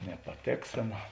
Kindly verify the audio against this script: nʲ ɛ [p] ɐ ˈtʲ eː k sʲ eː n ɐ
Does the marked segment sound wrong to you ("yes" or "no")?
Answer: no